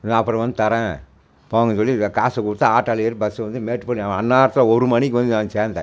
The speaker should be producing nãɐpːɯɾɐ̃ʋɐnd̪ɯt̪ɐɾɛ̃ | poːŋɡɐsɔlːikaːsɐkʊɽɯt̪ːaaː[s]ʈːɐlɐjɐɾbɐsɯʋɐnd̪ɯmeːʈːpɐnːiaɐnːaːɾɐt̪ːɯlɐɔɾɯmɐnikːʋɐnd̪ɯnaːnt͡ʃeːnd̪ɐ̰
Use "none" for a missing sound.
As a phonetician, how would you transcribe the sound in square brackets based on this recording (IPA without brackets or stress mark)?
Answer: none